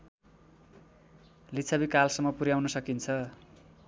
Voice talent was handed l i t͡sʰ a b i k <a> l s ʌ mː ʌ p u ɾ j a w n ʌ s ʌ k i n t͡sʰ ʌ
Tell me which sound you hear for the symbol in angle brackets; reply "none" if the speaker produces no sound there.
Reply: a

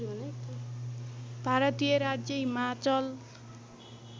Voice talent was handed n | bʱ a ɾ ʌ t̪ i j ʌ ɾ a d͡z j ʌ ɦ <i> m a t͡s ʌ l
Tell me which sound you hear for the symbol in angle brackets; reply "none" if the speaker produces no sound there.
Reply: i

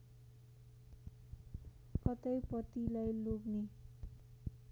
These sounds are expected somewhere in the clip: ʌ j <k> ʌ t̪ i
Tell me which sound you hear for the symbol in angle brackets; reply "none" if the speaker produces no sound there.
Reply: p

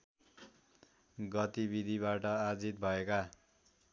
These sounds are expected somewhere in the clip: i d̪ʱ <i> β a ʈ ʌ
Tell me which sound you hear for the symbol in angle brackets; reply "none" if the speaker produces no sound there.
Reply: i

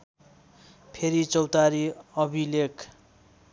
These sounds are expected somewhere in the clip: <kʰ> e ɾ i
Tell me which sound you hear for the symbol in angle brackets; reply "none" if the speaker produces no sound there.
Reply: pʰ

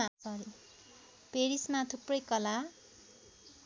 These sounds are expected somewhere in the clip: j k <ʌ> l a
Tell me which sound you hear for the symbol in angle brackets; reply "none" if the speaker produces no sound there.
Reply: ʌ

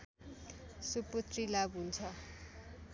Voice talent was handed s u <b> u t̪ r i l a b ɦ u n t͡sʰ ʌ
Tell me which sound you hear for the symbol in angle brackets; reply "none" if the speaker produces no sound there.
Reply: p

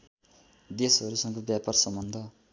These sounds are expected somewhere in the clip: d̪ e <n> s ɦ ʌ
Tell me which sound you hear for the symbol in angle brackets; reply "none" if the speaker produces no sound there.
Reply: none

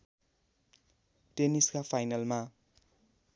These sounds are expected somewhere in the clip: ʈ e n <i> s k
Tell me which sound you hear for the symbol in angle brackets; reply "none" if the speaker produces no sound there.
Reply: i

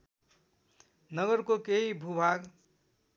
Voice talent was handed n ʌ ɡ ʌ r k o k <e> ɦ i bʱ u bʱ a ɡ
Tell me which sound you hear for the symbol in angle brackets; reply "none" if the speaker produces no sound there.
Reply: e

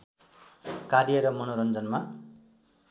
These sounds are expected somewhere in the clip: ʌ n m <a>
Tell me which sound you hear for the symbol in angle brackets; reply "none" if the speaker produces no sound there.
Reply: a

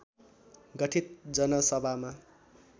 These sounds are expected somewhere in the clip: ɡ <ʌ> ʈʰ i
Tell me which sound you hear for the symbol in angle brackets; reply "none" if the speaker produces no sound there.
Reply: ʌ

